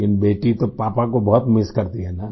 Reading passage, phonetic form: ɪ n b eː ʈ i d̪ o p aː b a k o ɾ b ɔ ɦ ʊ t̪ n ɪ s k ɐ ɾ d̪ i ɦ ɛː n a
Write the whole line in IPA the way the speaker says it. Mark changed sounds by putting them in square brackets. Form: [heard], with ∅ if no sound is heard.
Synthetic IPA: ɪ n b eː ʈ i [t̪] o p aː [p] a k o [∅] b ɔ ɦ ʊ t̪ [m] ɪ s k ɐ ɾ [t̪] i ɦ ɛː n a

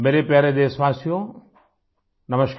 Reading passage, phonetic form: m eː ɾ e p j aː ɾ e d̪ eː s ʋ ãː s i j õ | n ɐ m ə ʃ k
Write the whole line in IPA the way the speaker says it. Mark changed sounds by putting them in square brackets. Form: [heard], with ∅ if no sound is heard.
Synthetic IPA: m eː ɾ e p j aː ɾ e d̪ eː s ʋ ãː s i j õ | n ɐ m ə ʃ k

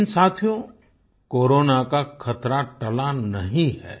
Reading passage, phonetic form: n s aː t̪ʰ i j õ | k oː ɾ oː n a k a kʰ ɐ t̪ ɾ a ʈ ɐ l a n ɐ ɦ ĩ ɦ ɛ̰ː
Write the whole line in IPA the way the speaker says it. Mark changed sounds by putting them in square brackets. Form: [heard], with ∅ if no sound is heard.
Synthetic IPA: n s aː t̪ʰ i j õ | k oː ɾ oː n a k a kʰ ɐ t̪ ɾ a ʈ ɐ l a n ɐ ɦ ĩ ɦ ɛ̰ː

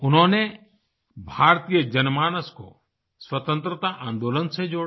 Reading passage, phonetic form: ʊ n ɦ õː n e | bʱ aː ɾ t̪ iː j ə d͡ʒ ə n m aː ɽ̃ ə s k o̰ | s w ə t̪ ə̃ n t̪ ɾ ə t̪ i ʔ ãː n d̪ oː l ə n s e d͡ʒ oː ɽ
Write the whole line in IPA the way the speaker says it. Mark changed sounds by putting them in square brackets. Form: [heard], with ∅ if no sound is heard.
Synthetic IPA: ʊ n ɦ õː n e | bʱ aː ɾ t̪ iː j ə d͡ʒ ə n m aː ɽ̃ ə s k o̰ | s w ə t̪ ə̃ n t̪ ɾ ə t̪ [a] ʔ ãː n d̪ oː l ə n s e d͡ʒ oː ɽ

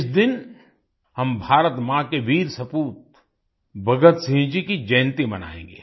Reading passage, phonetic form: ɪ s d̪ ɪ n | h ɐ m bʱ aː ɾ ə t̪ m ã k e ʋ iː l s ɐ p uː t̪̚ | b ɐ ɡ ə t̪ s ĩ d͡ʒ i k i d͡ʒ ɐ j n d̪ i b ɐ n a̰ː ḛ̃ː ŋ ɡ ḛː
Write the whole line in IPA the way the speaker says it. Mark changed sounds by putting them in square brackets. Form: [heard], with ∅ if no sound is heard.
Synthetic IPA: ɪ s d̪ ɪ n | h ɐ m bʱ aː ɾ ə t̪ m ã k e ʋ iː [ɾ] s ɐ p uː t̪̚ | b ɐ ɡ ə t̪ s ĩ d͡ʒ i k i d͡ʒ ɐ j n [t̪] i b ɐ n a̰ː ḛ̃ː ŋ ɡ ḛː

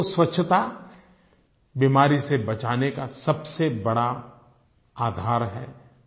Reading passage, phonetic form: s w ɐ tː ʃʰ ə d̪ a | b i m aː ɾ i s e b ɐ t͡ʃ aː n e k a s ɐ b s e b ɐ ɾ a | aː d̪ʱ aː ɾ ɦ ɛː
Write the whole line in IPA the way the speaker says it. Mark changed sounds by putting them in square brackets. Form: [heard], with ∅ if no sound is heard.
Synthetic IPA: s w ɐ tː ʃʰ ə [t̪] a | b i m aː ɾ i s e b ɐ t͡ʃ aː n e k a s ɐ b s e b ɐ [ɽ] a | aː d̪ʱ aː ɾ ɦ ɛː

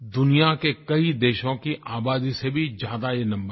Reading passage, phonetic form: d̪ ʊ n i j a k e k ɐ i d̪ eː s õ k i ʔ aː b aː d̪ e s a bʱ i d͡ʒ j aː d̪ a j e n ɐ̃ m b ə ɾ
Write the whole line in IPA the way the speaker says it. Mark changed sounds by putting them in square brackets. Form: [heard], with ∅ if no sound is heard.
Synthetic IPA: d̪ ʊ n i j a k e k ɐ i d̪ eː [ʃ] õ k i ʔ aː b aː d̪ [i] s [e] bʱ i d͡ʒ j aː d̪ a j e n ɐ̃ m b ə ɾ

